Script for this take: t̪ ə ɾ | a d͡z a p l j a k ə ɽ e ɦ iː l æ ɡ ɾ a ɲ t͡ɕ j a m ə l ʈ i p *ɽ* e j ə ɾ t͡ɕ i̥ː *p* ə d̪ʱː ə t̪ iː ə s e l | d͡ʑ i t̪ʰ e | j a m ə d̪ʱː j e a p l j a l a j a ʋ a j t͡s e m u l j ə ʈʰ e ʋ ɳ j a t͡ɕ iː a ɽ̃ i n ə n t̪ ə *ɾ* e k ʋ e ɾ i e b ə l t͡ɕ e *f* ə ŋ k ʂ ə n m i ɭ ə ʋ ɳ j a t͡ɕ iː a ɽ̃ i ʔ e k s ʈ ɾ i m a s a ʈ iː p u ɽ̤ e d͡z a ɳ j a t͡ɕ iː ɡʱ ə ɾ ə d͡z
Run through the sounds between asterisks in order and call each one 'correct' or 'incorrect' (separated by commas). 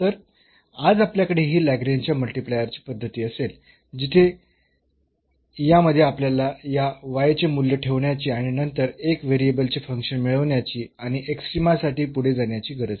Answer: incorrect, correct, correct, correct